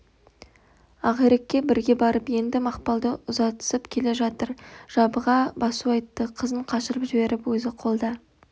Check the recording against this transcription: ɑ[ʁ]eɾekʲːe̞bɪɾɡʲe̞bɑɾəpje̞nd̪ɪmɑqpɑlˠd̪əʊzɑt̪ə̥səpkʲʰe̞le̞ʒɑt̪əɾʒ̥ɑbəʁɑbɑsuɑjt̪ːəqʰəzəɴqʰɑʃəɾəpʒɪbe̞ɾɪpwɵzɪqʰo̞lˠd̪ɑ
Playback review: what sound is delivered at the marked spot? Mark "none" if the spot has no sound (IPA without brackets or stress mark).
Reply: ʁ